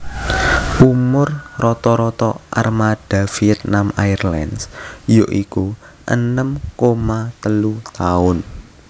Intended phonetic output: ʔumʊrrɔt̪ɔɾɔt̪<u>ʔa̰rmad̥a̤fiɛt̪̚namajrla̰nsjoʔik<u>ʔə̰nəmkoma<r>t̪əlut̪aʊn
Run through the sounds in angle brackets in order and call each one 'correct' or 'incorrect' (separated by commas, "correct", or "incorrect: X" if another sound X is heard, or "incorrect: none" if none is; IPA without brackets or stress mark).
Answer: incorrect: ɔ, correct, incorrect: none